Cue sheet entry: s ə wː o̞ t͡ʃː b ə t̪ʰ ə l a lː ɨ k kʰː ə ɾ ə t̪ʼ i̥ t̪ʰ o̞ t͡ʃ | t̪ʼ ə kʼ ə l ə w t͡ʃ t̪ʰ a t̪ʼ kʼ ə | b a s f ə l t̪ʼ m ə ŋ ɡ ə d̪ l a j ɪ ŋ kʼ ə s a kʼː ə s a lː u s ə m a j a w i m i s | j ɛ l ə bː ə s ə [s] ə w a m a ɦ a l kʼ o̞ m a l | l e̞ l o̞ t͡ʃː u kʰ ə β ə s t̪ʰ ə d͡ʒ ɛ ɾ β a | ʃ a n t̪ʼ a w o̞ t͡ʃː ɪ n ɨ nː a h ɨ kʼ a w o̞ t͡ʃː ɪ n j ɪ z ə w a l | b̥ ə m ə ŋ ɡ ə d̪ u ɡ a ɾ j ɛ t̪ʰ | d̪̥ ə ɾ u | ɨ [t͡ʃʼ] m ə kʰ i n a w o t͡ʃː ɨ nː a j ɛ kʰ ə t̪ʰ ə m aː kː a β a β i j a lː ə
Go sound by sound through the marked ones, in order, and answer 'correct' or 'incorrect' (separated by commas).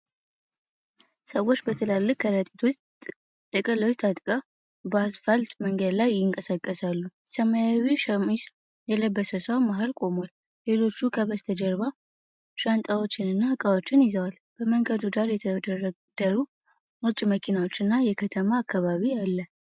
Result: correct, correct